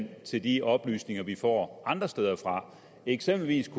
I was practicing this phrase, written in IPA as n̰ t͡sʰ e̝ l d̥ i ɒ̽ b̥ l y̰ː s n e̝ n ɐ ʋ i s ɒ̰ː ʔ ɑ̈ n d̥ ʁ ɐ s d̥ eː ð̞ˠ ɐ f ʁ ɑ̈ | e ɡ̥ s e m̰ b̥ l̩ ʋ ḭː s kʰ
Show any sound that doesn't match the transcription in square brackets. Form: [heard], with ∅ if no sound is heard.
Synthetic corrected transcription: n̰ t͡sʰ e̝ l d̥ i ɒ̽ b̥ l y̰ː s n e̝ [ŋ] ɐ ʋ i [f] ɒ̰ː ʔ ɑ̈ n d̥ ʁ ɐ s d̥ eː ð̞ˠ ɐ f ʁ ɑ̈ | e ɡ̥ s e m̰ b̥ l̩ ʋ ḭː s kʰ